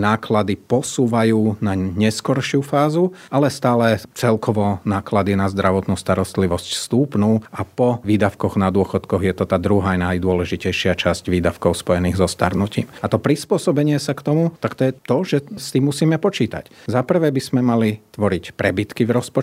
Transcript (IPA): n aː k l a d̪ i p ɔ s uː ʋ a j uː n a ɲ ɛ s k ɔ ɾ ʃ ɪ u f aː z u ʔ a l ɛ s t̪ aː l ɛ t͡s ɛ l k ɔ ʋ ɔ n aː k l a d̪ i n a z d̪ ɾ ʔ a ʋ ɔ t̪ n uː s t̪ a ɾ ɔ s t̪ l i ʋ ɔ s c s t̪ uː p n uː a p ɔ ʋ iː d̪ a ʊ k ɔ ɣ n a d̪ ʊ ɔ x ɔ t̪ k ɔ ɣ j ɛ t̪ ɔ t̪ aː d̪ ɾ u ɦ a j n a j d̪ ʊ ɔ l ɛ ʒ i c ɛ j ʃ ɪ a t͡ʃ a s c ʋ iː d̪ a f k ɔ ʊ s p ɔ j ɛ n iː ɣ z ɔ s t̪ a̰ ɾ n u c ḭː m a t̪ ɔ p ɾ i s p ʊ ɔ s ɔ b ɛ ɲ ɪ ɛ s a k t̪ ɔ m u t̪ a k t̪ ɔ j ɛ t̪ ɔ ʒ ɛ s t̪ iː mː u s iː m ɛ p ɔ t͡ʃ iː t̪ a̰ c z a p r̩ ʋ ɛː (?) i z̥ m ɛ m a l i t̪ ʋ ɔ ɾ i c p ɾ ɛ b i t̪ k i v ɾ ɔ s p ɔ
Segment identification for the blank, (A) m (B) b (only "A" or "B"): B